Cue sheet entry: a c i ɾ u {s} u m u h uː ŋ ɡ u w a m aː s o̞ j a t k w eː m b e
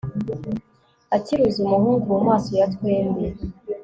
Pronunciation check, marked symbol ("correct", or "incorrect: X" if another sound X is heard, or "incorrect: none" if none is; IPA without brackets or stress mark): incorrect: z